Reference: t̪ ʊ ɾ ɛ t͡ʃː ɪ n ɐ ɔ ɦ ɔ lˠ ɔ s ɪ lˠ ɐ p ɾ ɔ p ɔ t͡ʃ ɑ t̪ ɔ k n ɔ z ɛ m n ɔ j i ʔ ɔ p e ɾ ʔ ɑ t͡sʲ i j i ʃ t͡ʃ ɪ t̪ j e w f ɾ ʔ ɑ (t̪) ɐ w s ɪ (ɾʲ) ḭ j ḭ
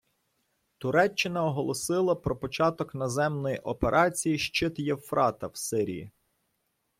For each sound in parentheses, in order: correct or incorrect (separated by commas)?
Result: correct, correct